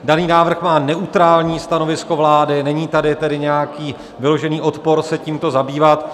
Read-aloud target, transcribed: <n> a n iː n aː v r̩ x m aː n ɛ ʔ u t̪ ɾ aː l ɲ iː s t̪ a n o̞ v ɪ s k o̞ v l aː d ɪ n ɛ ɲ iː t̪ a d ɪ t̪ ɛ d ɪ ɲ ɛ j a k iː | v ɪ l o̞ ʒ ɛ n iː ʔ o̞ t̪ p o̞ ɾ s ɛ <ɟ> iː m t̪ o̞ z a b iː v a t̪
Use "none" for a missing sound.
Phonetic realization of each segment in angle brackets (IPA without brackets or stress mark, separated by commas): d, c